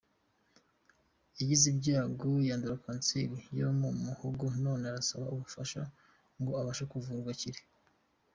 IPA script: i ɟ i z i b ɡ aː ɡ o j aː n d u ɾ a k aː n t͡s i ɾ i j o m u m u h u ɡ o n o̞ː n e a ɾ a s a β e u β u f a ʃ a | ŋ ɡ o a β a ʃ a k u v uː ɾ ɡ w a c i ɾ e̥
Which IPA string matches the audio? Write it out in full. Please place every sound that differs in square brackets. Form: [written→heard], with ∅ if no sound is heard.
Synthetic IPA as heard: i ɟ i z i b [ɡ→ɟ] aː ɡ o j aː n d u ɾ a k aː n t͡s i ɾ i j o m u m u h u ɡ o n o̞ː n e a ɾ a s a β [e→a] u β u f a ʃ a | ŋ ɡ o a β a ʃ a k u v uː ɾ ɡ w a c i ɾ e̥